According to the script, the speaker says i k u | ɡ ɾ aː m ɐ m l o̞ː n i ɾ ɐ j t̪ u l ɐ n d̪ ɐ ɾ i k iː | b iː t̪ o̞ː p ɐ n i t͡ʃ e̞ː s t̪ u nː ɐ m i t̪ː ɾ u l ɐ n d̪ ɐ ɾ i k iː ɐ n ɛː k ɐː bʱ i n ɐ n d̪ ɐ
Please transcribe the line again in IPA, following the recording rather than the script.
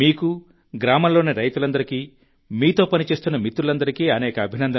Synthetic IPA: iː k u | ɡ ɾ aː m ɐ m l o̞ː n i ɾ ɐ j t̪ u l ɐ n d̪ ɐ ɾ i k iː | m iː t̪ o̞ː p ɐ n i t͡ʃ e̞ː s t̪ u nː ɐ m i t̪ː ɾ u l ɐ n d̪ ɐ ɾ i k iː ɐ n ɛː k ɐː bʱ i n ɐ n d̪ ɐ